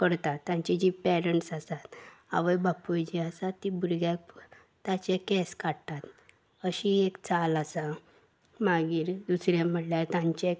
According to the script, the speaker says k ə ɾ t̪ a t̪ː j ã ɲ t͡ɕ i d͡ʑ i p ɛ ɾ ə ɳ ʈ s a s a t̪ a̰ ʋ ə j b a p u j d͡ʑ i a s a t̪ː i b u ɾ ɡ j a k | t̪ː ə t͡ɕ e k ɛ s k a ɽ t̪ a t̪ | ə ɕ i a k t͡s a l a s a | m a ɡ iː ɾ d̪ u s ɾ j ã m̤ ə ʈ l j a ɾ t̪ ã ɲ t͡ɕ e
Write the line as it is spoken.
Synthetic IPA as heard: k ə ɾ t̪ a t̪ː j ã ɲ t͡ɕ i d͡ʑ i p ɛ ɾ ə ɳ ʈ s a s a t̪ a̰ ʋ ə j b a p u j d͡ʑ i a s a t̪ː i b u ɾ ɡ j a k | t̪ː a t͡ɕ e k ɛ s k a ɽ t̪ a t̪ | ə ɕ i e k t͡s a l a s a | m a ɡ iː ɾ d̪ u s ɾ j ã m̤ ə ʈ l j a ɾ t̪ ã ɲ t͡ɕ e